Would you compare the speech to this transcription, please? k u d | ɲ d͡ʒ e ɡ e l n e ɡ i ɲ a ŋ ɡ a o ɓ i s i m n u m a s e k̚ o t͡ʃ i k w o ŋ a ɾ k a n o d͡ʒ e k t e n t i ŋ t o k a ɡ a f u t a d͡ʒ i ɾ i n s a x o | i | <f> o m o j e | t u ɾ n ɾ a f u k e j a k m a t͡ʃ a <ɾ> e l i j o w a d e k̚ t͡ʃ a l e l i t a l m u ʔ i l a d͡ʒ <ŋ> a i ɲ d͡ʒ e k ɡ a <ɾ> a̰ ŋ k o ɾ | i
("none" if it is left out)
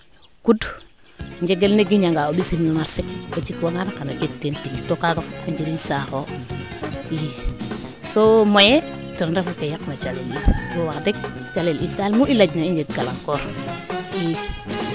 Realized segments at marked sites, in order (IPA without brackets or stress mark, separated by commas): s, l, n, l